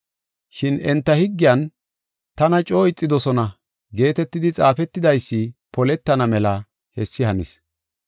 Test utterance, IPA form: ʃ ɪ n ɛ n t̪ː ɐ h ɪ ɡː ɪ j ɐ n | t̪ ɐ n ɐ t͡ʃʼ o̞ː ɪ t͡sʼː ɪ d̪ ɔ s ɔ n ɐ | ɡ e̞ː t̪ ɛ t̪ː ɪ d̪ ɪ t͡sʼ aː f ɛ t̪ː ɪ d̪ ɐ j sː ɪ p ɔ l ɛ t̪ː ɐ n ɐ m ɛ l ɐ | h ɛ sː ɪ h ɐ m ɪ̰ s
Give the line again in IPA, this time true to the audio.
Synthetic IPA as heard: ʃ ɪ n ɛ n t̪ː ɐ h ɪ ɡː ɪ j ɐ n | t̪ ɐ n ɐ t͡ʃʼ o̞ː ɪ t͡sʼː ɪ d̪ ɔ s ɔ n ɐ | ɡ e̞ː t̪ ɛ t̪ː ɪ d̪ ɪ t͡sʼ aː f ɛ t̪ː ɪ d̪ ɐ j sː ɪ p ɔ l ɛ t̪ː ɐ n ɐ m ɛ l ɐ | h ɛ sː ɪ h ɐ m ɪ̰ s